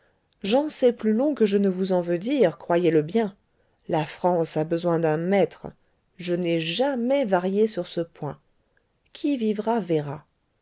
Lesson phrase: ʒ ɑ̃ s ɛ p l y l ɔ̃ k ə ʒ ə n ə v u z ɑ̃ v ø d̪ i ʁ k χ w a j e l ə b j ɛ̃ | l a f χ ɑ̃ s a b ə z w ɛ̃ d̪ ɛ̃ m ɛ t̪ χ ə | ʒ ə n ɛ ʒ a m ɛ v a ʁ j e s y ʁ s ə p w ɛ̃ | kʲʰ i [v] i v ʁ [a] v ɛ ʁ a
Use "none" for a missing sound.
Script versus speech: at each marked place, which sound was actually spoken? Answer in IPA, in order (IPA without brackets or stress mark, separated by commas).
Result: v, a